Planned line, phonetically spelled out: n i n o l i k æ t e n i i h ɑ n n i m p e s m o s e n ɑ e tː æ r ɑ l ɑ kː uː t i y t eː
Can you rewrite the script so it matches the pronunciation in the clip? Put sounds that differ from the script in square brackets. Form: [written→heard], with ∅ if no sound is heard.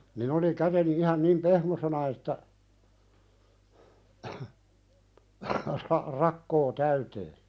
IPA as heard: n i n o l i k æ t e n i i h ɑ n n i m p e [s→h] m o s e n ɑ e tː æ r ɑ [l→r] ɑ kː [uː→oː] t [i→æ] y t eː